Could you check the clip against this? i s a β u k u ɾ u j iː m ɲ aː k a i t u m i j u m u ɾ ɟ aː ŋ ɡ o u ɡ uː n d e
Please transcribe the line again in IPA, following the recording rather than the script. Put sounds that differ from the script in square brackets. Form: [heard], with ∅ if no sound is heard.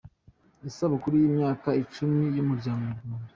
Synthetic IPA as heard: i s a β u k u ɾ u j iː m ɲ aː k a i [t͡ʃ] u m i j u m u ɾ ɟ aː ŋ ɡ o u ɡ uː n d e